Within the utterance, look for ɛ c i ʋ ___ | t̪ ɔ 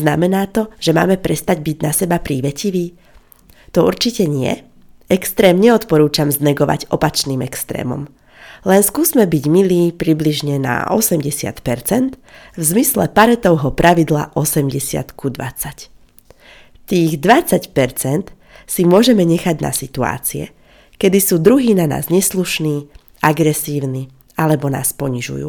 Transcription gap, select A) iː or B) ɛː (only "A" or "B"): A